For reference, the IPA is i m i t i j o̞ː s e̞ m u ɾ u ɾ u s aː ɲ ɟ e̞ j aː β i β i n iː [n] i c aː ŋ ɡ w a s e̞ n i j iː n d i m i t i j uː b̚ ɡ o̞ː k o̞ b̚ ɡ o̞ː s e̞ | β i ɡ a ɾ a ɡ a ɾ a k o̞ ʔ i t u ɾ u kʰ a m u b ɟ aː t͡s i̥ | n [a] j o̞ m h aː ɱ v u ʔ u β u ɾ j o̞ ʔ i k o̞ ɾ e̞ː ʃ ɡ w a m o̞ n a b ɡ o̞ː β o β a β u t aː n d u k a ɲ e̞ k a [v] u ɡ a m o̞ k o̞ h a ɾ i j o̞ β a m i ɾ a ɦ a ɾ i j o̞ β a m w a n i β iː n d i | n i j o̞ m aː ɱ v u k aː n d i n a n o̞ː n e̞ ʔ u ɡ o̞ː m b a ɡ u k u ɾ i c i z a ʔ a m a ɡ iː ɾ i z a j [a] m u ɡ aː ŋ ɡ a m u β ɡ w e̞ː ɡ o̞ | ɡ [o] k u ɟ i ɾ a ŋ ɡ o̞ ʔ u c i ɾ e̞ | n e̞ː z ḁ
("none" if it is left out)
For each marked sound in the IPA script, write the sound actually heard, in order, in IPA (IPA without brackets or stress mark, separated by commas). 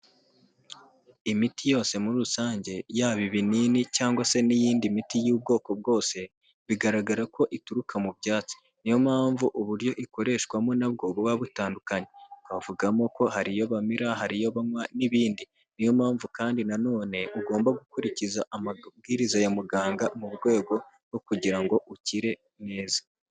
n, i, v, a, o